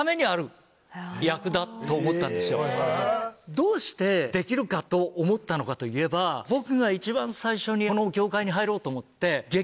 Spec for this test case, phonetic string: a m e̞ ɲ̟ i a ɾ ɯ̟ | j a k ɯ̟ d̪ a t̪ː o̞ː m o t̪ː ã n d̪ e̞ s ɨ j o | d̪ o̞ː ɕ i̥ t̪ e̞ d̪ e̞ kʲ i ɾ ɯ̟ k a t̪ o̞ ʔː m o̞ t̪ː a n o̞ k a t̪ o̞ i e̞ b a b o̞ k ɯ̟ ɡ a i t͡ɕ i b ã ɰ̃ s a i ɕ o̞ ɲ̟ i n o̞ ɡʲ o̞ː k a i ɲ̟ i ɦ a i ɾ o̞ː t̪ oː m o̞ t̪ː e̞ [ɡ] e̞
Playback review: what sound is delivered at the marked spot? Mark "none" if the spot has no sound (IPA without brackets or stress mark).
ɡ